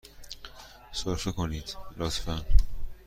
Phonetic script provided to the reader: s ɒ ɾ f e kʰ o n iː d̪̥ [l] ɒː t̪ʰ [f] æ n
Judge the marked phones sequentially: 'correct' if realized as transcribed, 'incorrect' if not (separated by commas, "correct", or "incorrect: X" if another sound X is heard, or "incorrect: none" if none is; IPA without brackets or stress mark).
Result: correct, correct